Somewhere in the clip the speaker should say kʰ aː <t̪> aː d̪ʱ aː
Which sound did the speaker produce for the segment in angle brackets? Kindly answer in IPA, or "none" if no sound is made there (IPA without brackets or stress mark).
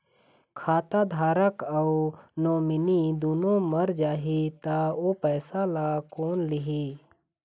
t̪